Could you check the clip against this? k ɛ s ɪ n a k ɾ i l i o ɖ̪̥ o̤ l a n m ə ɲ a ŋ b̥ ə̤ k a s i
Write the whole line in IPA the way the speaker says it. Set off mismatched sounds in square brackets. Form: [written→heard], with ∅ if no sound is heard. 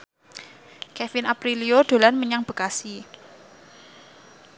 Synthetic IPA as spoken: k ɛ [s→f] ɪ n a [k→p] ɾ i l i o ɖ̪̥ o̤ l a n m ə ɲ a ŋ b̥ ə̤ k a s i